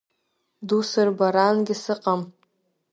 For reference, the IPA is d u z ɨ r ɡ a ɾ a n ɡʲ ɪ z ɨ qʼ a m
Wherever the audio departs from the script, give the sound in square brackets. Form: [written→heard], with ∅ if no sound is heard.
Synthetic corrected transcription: d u [z→s] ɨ r [ɡ→b] a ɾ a n ɡʲ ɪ [z→s] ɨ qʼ a m

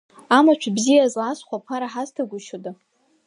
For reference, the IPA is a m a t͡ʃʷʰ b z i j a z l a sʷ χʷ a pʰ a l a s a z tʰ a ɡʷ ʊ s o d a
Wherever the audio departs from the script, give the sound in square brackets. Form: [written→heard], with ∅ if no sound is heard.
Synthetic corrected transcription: a m a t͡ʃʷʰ b z i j a z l a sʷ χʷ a pʰ a [l→ɾ] a [s→ħ] a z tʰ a ɡʷ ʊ [s→ʃ] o d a

